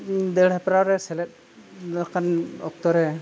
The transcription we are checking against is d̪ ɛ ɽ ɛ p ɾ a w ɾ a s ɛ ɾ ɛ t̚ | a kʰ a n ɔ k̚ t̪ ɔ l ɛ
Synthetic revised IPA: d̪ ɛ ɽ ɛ p ɾ a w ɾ ɛ s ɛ l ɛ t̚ | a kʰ a n ɔ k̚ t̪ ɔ ɾ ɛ